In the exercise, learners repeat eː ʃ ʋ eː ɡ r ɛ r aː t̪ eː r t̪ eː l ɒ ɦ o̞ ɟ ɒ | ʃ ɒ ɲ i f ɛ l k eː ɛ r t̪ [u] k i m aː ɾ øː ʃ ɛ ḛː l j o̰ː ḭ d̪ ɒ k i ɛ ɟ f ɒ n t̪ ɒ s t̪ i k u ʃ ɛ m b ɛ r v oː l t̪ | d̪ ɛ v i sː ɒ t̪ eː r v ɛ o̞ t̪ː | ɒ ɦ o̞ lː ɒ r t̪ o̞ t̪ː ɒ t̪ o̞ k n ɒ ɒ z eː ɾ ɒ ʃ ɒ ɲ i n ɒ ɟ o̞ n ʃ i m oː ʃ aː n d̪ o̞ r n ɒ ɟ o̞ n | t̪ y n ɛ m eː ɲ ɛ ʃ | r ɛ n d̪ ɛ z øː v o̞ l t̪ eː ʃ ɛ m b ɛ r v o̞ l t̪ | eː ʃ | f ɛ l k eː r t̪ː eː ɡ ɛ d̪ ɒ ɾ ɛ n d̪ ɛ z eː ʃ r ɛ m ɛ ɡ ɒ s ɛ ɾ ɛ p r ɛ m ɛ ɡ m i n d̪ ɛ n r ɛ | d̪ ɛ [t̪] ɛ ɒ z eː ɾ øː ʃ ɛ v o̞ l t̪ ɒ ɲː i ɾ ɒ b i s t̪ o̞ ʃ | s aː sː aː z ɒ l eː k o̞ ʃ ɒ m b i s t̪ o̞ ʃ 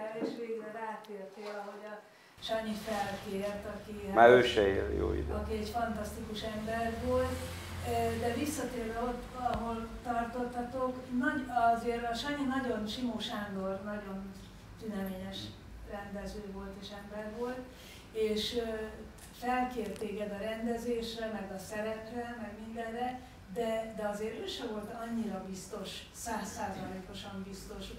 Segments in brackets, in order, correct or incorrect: incorrect, incorrect

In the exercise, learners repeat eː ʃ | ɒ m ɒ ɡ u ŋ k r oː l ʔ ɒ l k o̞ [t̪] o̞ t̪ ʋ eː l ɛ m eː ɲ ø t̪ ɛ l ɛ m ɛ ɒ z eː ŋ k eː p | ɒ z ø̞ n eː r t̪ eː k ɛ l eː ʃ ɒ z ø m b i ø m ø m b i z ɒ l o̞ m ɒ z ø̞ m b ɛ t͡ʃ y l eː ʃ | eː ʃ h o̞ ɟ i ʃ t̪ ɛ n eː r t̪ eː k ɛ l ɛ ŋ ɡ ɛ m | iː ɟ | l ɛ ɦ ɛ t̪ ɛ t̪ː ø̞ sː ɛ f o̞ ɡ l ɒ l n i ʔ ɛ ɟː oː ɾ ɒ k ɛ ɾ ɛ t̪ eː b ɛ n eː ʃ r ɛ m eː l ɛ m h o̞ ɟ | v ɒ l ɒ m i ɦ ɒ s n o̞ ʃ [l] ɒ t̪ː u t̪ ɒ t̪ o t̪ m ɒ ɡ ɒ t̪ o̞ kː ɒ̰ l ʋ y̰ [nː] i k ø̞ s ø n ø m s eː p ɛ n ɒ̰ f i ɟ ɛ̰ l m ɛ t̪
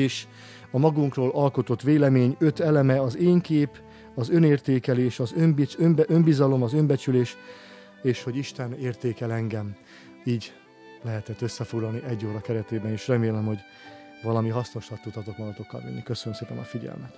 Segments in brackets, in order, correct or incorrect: correct, correct, correct

